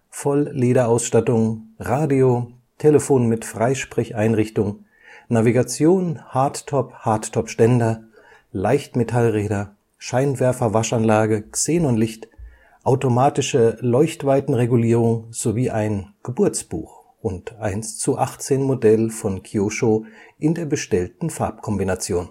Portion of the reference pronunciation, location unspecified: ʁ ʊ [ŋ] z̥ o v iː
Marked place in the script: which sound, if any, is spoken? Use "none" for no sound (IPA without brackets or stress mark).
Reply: ŋ